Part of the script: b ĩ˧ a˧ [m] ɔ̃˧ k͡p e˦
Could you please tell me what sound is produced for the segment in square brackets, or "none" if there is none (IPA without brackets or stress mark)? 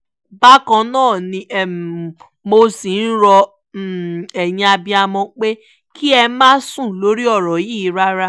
m